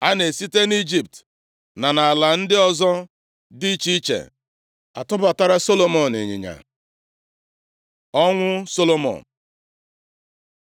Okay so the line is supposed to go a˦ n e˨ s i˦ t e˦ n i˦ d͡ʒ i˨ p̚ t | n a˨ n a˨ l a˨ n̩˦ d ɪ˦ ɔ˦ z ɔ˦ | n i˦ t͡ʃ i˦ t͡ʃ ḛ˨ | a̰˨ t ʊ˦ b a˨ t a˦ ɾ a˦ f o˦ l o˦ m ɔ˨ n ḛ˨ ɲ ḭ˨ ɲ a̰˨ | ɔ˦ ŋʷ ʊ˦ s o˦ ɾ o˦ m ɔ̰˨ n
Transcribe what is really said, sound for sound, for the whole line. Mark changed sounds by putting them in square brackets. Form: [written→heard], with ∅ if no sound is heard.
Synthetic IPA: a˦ n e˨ s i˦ t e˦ n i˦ d͡ʒ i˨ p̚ t | n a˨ n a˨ l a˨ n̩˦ d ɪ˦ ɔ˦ z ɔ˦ | [n→d] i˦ t͡ʃ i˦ t͡ʃ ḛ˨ | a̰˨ t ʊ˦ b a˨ t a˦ ɾ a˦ [f→s] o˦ l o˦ m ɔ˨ n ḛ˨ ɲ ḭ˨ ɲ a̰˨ | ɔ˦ ŋʷ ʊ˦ s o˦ [ɾ→l] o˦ m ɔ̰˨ n